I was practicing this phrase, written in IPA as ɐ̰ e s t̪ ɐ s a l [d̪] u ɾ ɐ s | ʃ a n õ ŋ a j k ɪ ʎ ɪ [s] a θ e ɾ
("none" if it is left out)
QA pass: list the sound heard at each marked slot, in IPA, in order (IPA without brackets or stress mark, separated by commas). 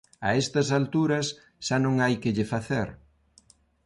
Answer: t̪, f